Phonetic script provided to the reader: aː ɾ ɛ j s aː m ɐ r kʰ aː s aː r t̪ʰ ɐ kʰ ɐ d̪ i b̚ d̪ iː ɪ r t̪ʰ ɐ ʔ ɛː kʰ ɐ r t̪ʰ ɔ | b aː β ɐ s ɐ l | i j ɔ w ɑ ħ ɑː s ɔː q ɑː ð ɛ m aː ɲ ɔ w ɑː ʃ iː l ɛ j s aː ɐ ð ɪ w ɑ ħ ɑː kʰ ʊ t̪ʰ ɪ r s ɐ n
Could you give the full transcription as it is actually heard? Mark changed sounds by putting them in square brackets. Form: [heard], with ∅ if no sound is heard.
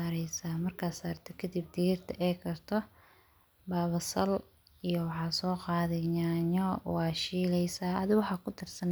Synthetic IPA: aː ɾ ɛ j s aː m ɐ r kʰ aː s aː r t̪ʰ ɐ kʰ ɐ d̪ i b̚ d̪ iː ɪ r t̪ʰ ɐ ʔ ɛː kʰ ɐ r t̪ʰ ɔ | b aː β ɐ s ɐ l | i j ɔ w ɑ ħ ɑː s ɔː q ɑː ð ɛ [ɲ] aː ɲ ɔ w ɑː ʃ iː l ɛ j s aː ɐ ð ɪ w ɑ ħ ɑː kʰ ʊ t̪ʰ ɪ r s ɐ n